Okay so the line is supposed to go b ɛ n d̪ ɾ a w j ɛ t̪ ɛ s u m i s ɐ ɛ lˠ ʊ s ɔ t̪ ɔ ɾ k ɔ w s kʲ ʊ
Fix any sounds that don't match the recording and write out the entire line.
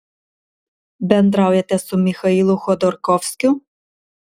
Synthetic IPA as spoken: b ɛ n d̪ ɾ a w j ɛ t̪ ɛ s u m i x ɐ i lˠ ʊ x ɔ d̪ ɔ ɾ k ɔ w s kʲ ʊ

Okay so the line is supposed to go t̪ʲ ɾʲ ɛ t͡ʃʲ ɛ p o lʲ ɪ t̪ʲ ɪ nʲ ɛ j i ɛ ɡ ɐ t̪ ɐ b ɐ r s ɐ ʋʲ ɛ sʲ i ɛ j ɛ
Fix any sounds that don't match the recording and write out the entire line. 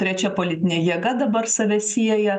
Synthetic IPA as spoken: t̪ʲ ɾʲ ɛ t͡ʃʲ ɛ p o lʲ ɪ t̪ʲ ɪ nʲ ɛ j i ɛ ɡ ɐ d̪ ɐ b ɐ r s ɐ ʋʲ ɛ sʲ i ɛ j ɛ

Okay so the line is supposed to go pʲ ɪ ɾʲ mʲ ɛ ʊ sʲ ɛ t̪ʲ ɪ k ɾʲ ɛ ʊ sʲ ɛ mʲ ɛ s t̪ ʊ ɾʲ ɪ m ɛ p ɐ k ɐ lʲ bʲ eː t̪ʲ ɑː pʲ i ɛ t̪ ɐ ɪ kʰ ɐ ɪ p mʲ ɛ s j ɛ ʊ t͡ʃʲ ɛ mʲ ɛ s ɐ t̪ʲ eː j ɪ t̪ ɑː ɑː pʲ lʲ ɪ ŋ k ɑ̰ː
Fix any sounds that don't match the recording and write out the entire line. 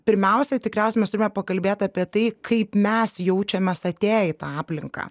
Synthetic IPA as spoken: pʲ ɪ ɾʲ mʲ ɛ ʊ sʲ ɛ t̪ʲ ɪ k ɾʲ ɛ ʊ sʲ ɛ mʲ ɛ s t̪ ʊ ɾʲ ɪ m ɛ p ɐ k ɐ lʲ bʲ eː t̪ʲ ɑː pʲ i ɛ t̪ ɐ ɪ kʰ ɐ ɪ p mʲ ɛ s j ɛ ʊ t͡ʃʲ ɛ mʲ ɛ s ɐ t̪ʲ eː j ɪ t̪ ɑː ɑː pʲ lʲ ɪ ŋ k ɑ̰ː

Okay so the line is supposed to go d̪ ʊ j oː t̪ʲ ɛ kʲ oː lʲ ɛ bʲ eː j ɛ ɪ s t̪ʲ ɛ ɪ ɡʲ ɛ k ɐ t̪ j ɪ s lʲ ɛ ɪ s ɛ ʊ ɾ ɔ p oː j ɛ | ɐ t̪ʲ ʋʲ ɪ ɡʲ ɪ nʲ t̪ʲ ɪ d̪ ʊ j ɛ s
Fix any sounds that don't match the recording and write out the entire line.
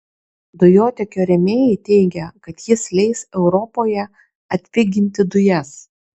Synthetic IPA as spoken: d̪ ʊ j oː t̪ʲ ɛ kʲ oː ɾʲ ɛ mʲ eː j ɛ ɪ t̪ʲ ɛ ɪ ɡʲ ɛ k ɐ t̪ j ɪ s lʲ ɛ ɪ s ɛ ʊ ɾ ɔ p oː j ɛ | ɐ t̪ʲ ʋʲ ɪ ɡʲ ɪ nʲ t̪ʲ ɪ d̪ ʊ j ɛ s

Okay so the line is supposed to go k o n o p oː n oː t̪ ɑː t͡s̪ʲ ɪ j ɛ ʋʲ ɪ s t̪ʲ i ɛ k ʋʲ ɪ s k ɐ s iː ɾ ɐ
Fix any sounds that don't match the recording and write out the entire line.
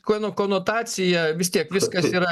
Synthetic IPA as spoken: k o n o k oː n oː t̪ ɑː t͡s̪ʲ ɪ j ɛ ʋʲ ɪ s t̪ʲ i ɛ k ʋʲ ɪ s k ɐ s iː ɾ ɐ

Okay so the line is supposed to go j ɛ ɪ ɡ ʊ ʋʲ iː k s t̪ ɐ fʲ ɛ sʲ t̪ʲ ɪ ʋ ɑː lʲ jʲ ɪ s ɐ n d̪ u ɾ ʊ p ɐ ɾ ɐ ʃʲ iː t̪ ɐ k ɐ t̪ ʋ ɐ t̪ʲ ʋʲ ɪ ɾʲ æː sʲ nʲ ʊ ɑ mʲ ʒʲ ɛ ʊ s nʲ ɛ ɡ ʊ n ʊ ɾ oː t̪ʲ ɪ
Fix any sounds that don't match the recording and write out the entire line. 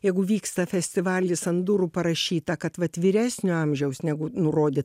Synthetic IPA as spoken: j ɛ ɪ ɡ ʊ ʋʲ iː k s t̪ ɐ fʲ ɛ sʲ t̪ʲ ɪ ʋ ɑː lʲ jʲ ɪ s ɐ n d̪ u ɾ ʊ p ɐ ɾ ɐ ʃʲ iː t̪ ɐ k ɐ t̪ ʋ ɐ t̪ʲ ʋʲ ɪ ɾʲ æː sʲ nʲ ʊ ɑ mʲ ʒʲ ɛ ʊ s nʲ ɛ ɡ ʊ n ʊ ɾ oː d̪ʲ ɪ

